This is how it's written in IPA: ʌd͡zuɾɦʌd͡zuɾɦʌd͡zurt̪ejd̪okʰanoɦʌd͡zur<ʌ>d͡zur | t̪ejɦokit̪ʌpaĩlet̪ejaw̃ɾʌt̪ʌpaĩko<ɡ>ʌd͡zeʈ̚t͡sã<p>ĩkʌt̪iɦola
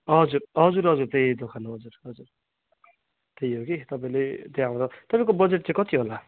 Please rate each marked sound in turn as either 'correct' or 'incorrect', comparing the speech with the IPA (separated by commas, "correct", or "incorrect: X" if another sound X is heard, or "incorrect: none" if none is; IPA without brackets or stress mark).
correct, incorrect: b, incorrect: none